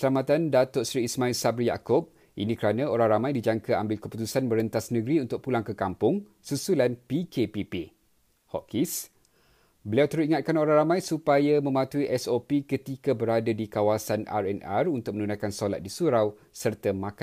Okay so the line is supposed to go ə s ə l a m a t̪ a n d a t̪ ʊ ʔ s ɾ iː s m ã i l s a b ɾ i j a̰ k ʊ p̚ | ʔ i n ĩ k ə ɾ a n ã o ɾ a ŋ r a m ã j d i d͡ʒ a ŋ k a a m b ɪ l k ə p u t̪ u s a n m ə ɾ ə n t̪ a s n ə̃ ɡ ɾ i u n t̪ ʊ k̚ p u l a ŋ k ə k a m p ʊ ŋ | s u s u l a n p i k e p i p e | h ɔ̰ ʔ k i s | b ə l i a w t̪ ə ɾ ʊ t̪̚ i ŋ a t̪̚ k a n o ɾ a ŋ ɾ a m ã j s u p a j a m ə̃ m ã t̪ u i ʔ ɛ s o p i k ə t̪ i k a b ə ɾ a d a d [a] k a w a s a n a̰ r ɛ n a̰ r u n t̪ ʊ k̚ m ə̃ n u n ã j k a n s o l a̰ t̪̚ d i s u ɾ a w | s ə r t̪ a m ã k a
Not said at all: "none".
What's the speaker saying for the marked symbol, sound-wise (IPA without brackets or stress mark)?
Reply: i